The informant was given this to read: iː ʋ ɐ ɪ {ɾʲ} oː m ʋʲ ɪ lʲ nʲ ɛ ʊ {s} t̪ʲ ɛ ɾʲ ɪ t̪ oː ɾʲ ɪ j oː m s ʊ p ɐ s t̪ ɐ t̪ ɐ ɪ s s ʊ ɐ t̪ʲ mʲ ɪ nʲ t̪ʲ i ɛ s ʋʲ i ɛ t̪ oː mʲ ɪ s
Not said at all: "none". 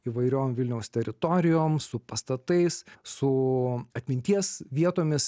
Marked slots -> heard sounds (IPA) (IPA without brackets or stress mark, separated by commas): ɾʲ, s